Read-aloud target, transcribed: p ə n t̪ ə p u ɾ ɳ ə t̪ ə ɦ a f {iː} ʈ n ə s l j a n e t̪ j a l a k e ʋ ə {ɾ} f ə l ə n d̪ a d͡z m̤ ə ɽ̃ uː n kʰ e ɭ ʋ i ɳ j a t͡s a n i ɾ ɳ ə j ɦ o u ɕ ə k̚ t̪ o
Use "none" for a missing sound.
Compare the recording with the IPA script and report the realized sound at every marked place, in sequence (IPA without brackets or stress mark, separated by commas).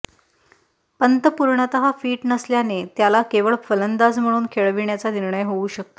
iː, ɭ